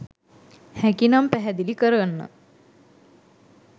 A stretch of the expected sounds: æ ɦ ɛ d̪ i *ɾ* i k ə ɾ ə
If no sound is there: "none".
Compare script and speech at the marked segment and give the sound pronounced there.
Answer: l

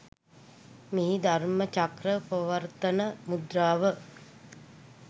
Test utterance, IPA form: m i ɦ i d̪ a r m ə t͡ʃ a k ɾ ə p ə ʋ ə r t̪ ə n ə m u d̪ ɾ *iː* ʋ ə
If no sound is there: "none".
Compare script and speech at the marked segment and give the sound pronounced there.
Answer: aː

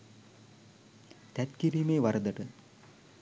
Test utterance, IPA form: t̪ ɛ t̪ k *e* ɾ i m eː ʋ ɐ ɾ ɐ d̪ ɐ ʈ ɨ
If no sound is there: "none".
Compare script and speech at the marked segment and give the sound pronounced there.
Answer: i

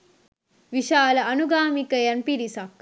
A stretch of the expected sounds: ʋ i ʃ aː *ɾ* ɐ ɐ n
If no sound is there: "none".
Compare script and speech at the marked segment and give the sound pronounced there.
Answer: l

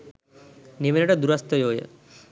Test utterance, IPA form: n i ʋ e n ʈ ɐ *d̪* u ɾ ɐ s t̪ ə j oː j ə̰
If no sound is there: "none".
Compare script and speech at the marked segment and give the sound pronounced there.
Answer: d̪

